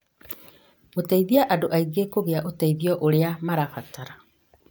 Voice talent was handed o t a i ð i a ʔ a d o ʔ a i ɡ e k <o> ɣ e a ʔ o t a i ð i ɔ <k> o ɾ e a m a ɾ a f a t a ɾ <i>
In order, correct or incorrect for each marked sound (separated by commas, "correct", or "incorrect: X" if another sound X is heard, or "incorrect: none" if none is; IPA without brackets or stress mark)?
correct, incorrect: ʔ, incorrect: a